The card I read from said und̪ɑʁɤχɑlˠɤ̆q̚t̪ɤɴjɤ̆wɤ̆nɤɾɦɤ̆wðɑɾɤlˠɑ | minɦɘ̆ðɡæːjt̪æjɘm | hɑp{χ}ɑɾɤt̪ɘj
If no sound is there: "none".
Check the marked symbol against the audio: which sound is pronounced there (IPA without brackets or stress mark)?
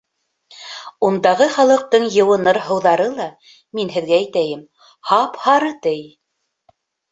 h